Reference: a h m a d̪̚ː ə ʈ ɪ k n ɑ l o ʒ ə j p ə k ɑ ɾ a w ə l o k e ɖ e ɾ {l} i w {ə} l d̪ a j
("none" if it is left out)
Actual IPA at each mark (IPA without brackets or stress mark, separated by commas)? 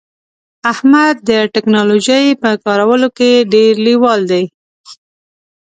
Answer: l, ɑ